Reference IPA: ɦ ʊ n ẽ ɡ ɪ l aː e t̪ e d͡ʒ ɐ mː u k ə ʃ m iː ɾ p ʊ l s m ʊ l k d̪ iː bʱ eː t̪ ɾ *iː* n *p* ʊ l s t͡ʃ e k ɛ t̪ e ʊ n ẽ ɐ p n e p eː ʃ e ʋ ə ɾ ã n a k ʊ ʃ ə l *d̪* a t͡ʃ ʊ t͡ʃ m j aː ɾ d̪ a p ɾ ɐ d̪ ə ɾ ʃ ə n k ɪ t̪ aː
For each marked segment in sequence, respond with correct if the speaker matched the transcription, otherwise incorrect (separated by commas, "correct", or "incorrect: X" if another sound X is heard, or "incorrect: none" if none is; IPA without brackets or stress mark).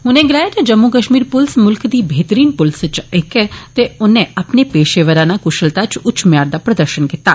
correct, correct, incorrect: t̪